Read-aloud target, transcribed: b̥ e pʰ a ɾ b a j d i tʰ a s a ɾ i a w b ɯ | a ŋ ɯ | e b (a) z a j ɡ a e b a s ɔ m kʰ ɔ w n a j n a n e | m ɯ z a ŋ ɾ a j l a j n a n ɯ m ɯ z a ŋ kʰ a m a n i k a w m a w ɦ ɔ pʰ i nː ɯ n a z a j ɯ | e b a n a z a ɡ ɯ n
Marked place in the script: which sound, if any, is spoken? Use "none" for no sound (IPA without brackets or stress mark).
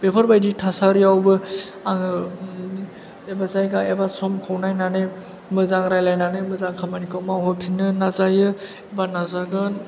a